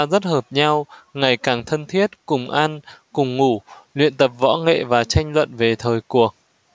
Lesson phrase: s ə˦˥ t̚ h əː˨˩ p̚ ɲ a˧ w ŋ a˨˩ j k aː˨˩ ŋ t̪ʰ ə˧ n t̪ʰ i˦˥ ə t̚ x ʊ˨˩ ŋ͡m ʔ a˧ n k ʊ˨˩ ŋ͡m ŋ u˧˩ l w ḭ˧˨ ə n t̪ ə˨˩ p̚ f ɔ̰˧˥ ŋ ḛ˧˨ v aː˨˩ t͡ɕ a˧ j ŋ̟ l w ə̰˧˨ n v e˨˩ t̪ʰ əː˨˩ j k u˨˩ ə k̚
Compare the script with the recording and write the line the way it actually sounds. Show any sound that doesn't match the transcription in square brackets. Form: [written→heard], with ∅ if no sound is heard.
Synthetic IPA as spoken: [s→z] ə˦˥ t̚ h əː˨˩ p̚ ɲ a˧ w ŋ a˨˩ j k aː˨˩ ŋ t̪ʰ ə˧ n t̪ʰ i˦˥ ə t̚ [x→k] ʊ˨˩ ŋ͡m ʔ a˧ n k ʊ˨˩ ŋ͡m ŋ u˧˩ l w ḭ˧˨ ə n t̪ ə˨˩ p̚ [f→v] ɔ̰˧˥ ŋ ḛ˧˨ v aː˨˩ t͡ɕ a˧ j ŋ̟ l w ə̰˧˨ n v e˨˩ t̪ʰ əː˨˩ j k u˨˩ ə k̚

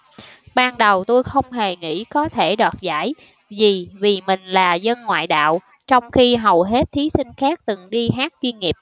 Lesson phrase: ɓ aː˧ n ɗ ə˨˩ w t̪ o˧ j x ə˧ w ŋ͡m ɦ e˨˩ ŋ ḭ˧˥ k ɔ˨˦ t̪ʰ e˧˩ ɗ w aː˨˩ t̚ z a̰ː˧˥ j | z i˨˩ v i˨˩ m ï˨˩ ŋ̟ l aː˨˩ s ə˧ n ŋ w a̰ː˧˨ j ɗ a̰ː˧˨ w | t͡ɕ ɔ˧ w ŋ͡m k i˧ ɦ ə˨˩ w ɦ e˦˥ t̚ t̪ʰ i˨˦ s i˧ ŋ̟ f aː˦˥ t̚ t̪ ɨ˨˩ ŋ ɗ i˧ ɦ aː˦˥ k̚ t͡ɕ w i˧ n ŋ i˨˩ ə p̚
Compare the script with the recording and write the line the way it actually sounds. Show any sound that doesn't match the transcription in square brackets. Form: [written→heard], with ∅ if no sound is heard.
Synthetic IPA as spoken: ɓ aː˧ n ɗ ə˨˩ w t̪ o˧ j x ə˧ w ŋ͡m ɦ e˨˩ ŋ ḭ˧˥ k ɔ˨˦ t̪ʰ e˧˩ ɗ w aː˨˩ t̚ z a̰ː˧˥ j | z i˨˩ v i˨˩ m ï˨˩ ŋ̟ l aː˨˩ [s→z] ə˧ n ŋ w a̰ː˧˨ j ɗ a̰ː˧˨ w | t͡ɕ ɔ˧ w ŋ͡m [k→x] i˧ ɦ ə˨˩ w ɦ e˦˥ t̚ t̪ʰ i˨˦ s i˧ ŋ̟ [f→x] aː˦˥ [t̚→k̚] t̪ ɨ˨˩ ŋ ɗ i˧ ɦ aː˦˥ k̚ t͡ɕ w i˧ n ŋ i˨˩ ə p̚

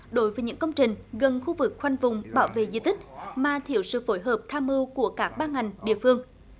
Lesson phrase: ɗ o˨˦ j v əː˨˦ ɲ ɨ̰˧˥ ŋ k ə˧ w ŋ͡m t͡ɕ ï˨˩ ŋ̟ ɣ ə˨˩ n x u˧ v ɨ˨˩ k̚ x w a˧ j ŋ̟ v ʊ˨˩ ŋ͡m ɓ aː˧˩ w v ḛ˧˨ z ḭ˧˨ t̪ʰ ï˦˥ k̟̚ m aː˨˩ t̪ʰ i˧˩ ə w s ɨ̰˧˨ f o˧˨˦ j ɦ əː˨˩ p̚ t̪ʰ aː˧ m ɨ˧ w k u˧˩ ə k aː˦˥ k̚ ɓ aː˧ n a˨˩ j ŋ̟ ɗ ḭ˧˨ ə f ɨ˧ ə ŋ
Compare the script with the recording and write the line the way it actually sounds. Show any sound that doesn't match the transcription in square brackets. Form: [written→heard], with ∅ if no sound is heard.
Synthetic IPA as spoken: ɗ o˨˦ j v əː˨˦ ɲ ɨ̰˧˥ ŋ k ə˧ w ŋ͡m t͡ɕ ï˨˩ ŋ̟ ɣ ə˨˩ n x u˧ v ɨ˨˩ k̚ x w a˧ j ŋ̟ v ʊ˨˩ ŋ͡m ɓ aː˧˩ w v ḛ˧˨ z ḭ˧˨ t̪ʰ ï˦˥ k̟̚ m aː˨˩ t̪ʰ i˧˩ ə w s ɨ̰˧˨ f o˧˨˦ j ɦ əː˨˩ p̚ t̪ʰ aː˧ m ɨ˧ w k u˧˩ ə k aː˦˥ k̚ ɓ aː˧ [n→ŋ] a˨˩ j ŋ̟ ɗ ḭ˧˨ ə f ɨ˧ ə ŋ

